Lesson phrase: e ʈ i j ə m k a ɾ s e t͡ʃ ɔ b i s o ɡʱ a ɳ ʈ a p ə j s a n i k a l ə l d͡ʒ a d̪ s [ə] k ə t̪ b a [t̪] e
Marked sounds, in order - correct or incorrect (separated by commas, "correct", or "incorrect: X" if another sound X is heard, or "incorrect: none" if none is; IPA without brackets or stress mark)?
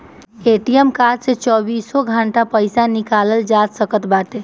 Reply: correct, correct